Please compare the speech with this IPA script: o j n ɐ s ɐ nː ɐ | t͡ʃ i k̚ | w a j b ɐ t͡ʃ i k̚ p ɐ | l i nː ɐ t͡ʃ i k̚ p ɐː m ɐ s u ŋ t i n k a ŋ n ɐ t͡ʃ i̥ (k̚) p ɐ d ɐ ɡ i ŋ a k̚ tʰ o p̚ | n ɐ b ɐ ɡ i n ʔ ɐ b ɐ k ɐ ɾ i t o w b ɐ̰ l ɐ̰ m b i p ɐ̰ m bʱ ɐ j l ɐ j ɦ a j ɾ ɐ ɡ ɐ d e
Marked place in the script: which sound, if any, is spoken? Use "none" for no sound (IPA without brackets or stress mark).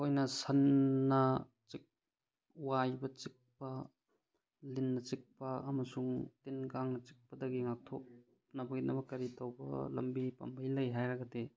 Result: k̚